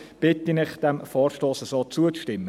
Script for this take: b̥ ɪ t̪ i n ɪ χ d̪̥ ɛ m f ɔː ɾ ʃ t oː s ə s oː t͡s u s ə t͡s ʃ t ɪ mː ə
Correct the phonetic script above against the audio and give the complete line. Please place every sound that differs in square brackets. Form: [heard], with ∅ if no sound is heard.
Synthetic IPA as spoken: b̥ ɪ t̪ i n ɪ χ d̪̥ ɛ m f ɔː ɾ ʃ t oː s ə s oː t͡s u [∅] ə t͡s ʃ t ɪ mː ə